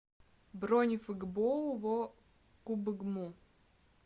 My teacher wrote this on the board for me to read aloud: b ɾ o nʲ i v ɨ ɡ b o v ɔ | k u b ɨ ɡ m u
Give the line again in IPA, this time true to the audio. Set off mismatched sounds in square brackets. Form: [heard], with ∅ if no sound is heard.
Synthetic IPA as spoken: b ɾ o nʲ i [f] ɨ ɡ b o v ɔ | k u b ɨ ɡ m u